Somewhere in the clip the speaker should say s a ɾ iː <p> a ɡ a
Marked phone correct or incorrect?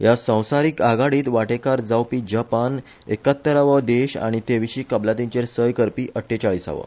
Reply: incorrect